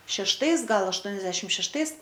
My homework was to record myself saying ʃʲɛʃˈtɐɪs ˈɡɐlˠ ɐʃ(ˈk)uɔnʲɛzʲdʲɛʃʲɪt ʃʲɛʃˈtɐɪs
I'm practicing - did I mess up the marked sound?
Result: yes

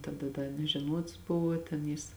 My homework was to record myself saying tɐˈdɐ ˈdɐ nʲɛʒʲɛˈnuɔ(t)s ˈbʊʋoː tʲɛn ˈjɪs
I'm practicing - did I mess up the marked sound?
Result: no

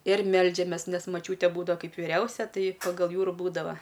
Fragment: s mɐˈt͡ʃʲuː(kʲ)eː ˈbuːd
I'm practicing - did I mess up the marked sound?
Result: yes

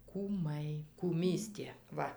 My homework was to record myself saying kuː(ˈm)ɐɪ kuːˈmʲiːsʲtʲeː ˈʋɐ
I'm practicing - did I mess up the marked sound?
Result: no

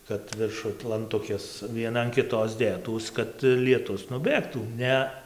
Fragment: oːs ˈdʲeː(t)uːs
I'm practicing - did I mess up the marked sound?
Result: no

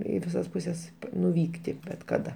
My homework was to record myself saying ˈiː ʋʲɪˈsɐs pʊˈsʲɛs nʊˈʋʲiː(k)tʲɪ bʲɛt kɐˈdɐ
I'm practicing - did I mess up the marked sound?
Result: no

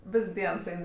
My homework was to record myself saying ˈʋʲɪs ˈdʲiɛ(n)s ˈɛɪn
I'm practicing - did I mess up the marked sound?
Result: no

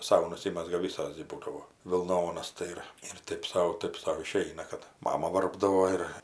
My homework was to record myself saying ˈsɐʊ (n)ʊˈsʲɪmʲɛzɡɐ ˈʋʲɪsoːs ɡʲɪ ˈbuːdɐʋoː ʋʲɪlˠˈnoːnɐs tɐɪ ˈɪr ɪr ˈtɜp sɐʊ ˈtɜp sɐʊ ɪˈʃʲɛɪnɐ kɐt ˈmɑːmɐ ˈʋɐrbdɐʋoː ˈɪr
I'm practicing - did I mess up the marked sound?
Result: no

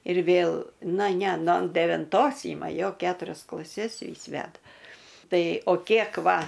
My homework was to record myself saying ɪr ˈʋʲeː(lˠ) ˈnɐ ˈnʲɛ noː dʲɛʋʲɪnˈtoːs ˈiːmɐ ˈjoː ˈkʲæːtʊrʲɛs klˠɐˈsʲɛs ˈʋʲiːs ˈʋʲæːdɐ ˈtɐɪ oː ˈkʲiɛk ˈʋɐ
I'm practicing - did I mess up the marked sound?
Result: no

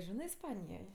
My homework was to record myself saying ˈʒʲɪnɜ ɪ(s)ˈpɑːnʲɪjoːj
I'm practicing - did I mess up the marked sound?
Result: no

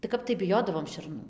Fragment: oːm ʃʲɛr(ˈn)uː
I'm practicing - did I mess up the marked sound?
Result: no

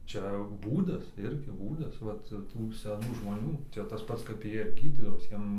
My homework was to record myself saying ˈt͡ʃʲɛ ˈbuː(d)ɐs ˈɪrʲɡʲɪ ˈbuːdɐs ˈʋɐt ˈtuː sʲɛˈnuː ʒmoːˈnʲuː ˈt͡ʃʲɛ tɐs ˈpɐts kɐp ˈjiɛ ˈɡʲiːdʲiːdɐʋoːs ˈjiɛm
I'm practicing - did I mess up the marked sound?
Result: no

